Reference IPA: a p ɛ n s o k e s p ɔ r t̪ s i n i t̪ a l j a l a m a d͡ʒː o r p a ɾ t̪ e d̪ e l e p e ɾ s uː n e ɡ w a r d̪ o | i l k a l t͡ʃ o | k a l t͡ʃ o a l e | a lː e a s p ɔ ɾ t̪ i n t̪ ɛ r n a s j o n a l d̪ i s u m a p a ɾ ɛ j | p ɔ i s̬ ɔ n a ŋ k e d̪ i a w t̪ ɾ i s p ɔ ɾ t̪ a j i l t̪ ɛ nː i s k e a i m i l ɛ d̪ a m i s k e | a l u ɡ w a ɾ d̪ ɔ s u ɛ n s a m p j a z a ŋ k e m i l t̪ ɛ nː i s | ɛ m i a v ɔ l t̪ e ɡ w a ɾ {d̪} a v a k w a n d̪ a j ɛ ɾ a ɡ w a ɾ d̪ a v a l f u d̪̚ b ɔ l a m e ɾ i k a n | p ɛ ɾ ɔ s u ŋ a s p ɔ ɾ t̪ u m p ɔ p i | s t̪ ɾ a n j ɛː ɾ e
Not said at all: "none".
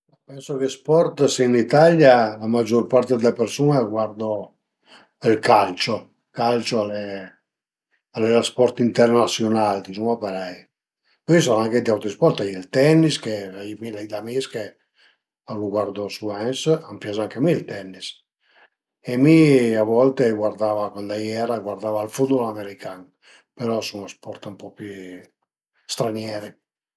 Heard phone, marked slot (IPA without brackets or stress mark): d̪